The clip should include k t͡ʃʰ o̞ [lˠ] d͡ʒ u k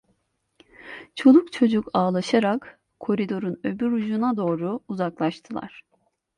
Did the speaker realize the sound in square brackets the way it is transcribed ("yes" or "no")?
no